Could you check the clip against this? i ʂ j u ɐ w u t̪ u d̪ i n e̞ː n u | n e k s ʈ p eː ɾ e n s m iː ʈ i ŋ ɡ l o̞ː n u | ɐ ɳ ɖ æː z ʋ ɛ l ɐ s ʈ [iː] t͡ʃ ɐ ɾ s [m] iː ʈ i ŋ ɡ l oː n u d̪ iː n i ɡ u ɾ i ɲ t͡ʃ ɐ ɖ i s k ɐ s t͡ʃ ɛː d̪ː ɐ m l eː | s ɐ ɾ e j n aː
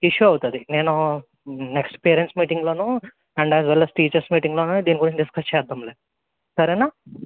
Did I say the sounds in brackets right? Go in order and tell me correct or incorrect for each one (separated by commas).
correct, correct